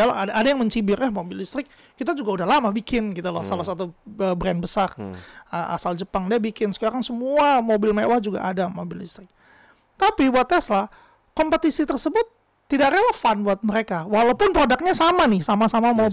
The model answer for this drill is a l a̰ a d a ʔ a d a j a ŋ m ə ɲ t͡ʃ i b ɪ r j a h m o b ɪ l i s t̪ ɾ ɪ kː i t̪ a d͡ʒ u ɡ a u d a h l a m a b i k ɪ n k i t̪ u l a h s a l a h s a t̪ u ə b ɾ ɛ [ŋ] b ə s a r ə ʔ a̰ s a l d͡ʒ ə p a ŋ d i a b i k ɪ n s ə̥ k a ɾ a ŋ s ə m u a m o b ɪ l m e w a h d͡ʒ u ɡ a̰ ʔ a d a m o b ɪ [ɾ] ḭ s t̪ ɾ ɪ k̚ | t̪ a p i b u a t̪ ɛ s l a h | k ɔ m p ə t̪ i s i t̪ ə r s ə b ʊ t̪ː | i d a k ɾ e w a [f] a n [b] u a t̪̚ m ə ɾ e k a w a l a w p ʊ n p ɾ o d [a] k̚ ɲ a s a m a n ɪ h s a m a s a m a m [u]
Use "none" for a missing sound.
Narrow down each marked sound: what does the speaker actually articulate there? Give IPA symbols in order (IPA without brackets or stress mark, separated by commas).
n, l, f, b, a, o